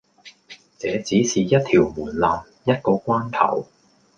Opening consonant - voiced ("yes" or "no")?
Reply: no